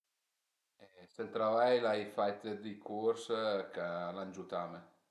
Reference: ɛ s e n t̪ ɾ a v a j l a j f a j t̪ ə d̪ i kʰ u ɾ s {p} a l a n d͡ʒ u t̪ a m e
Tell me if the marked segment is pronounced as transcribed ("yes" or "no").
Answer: no